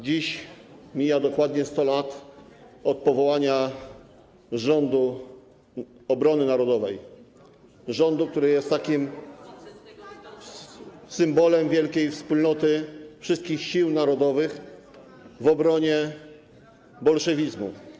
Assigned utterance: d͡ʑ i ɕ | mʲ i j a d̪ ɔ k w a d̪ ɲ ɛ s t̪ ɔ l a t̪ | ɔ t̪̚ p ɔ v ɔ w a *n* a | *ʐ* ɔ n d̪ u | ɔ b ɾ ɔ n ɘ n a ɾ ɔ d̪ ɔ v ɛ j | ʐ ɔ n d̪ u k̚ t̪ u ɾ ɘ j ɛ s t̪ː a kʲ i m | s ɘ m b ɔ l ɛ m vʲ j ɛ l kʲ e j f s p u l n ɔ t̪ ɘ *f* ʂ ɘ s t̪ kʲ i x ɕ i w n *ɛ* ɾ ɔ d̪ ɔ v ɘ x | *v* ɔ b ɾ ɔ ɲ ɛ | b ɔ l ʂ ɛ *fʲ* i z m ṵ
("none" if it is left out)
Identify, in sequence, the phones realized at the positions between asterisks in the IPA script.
ɲ, ʐ, f, a, v, vʲ

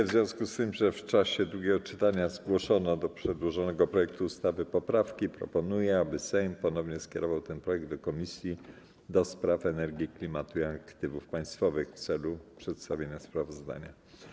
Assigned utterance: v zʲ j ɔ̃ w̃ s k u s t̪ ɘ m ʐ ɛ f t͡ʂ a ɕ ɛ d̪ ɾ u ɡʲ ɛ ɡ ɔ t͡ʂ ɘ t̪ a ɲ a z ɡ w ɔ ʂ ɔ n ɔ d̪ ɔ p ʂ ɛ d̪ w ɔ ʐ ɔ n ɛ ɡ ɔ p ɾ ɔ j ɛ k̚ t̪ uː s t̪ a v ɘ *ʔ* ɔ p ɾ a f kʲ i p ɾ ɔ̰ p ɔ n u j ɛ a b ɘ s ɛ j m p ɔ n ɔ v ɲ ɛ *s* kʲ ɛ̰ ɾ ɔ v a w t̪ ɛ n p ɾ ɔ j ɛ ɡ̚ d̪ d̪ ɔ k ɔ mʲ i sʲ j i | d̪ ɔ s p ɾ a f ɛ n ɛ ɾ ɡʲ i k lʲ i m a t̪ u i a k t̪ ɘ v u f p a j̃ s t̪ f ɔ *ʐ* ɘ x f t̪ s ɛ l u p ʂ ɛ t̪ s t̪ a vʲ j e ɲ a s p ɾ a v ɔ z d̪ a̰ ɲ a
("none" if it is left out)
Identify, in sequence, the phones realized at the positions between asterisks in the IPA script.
p, s, v

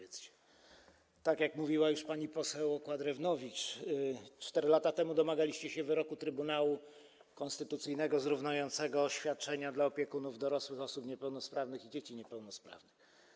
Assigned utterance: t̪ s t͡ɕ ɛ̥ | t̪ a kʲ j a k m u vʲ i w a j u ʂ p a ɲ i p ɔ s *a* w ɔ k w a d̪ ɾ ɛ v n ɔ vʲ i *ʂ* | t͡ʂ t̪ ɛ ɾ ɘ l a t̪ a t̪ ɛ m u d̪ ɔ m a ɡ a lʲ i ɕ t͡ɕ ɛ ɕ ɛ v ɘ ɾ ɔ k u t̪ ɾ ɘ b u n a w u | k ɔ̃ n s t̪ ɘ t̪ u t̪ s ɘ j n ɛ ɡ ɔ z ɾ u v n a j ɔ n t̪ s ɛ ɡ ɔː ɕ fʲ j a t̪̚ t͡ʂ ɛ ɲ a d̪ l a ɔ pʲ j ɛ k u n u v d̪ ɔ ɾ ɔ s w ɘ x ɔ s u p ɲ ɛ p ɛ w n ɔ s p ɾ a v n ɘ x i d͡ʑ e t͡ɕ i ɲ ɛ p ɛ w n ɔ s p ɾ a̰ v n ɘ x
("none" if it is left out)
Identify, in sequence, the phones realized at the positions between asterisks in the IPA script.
ɛ, t͡ʂ

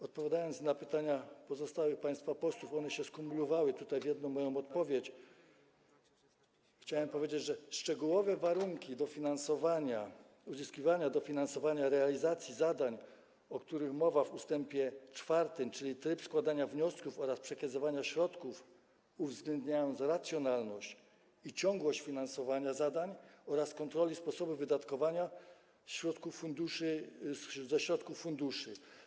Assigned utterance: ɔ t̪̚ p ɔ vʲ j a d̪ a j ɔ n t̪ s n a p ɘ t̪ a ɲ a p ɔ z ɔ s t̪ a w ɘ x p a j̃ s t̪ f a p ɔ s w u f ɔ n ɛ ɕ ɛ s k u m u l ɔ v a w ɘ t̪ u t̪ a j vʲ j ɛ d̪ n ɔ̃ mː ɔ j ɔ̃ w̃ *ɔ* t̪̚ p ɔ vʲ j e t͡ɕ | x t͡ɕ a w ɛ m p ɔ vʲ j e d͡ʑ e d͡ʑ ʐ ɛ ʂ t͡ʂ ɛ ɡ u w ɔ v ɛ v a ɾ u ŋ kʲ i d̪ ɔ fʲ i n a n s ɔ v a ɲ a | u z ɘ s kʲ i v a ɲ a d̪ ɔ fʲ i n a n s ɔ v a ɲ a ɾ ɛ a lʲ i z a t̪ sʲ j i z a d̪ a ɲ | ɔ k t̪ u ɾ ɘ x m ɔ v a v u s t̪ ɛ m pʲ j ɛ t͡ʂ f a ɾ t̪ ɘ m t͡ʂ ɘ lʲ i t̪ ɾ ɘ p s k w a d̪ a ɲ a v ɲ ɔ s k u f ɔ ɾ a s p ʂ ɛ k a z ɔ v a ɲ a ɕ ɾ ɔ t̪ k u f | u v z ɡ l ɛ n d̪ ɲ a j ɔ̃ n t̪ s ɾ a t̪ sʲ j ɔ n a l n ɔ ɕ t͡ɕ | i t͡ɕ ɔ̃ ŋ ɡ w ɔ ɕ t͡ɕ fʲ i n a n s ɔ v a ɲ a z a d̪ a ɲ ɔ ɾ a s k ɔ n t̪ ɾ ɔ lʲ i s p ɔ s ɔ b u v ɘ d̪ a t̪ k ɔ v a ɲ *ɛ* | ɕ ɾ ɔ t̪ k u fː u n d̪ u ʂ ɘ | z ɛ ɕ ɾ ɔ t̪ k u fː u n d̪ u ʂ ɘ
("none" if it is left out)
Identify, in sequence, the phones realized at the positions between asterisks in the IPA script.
ɔ, a

